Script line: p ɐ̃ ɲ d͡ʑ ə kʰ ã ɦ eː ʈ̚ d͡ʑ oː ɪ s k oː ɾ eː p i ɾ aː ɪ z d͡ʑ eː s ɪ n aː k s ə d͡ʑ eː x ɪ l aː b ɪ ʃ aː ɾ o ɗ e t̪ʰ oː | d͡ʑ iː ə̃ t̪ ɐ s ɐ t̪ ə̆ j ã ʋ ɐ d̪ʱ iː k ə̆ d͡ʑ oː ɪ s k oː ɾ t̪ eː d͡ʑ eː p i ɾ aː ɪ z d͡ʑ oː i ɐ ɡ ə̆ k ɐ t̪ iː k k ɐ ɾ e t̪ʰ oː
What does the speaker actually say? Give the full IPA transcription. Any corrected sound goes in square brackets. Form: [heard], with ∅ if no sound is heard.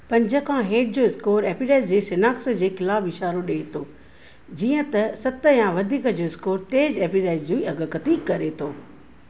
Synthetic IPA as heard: p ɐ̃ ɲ d͡ʑ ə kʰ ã ɦ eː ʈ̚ d͡ʑ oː ɪ s k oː ɾ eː p i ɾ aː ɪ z d͡ʑ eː s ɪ n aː k s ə d͡ʑ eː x ɪ l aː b ɪ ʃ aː ɾ o ɗ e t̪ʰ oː | d͡ʑ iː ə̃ t̪ ɐ s ɐ t̪ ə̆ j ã ʋ ɐ d̪ʱ iː k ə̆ d͡ʑ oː ɪ s k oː ɾ t̪ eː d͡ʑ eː p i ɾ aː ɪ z d͡ʑ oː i ɐ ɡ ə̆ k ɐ t̪ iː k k ɐ ɾ e t̪ʰ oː